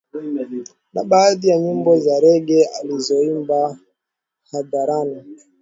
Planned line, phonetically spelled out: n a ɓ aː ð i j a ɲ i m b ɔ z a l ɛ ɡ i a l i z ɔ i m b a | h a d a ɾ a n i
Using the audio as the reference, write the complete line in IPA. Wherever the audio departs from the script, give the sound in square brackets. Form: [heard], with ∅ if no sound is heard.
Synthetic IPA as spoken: n a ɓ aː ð i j a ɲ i m b ɔ z a [ɾ] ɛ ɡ [ɛ] a l i z ɔ i m b a | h a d a ɾ a n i